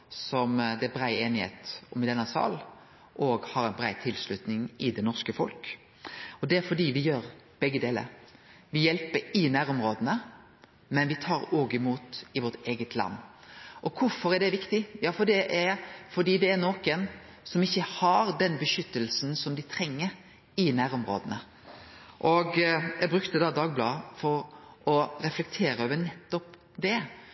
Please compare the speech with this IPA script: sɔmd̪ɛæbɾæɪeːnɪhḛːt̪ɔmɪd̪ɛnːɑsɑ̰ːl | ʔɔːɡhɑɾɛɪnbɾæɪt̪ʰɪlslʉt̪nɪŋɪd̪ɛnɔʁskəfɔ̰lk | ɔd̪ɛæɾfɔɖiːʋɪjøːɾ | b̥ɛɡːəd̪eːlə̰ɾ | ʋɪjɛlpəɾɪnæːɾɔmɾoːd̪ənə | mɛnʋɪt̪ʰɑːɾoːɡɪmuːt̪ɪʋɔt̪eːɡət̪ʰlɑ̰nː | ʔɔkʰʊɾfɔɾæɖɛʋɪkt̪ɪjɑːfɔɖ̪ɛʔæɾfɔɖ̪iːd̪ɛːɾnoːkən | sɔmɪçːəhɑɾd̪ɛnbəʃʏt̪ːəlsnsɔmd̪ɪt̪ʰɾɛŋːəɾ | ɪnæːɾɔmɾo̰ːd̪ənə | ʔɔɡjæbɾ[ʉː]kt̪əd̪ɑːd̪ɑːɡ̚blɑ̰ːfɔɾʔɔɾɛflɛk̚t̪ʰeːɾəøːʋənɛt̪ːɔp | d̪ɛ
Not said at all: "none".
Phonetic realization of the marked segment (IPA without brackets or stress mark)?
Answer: ʉ